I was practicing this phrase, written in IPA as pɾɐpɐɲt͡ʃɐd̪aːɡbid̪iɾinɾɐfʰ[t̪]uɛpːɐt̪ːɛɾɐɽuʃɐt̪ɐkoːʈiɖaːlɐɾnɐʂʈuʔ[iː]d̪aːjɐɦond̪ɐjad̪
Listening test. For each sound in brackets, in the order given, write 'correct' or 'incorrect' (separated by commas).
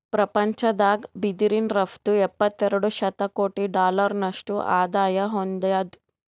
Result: correct, incorrect